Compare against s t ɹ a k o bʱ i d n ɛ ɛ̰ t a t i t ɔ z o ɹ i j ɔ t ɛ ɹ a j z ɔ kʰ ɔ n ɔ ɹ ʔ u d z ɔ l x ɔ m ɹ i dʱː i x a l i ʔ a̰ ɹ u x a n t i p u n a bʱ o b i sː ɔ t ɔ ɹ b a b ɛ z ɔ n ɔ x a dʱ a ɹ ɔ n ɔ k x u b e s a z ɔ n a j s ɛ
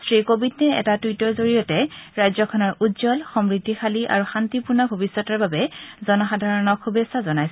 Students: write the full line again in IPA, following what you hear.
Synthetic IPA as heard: s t ɹ i k o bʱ i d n ɛ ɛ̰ t a t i t ɔ z o ɹ i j ɔ t ɛ ɹ a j z ɔ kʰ ɔ n ɔ ɹ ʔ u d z ɔ l x ɔ m ɹ i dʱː i x a l i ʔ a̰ ɹ u x a n t i p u n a bʱ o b i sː ɔ t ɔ ɹ b a b ɛ z ɔ n ɔ x a dʱ a ɹ ɔ n ɔ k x u b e s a z ɔ n a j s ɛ